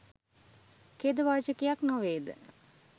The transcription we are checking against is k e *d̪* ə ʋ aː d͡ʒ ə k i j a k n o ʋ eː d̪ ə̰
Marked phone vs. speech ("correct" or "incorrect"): correct